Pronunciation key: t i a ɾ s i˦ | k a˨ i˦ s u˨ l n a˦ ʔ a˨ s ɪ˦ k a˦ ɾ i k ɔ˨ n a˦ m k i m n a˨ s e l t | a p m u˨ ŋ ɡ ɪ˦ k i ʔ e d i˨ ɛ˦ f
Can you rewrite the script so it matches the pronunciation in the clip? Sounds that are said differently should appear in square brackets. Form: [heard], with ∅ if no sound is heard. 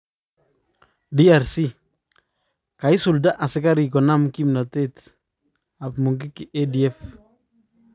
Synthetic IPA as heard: [d] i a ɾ s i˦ | k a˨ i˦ s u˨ l [d] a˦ ʔ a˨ s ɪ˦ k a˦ ɾ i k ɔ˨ n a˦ m k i m n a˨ [t] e [∅] t | a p m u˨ ŋ ɡ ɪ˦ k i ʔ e d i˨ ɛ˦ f